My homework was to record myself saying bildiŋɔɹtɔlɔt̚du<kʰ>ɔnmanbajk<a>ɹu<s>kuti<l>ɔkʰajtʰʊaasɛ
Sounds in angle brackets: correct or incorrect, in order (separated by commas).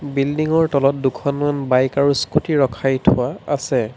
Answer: correct, correct, correct, incorrect